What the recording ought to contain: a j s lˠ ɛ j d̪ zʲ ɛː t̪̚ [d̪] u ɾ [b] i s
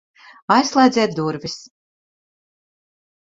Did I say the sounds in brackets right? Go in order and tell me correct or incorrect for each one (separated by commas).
correct, incorrect